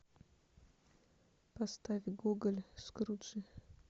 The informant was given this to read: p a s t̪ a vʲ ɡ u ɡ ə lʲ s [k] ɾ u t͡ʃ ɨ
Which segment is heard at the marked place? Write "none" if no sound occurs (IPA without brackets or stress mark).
k